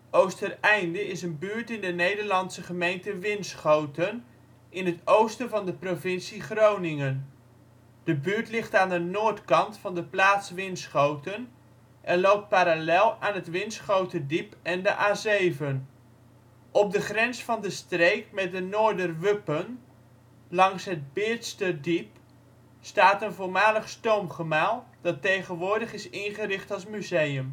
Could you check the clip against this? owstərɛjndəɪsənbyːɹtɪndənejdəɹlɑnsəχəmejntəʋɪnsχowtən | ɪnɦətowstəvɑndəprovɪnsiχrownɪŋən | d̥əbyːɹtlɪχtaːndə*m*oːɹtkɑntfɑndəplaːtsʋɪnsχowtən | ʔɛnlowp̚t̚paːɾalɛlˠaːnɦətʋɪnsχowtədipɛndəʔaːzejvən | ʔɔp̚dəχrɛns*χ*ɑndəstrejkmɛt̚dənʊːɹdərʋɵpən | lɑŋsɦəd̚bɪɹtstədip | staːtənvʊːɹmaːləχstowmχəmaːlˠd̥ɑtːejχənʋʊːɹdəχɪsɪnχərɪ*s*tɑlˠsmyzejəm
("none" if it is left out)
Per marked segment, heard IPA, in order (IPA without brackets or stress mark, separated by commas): n, f, χ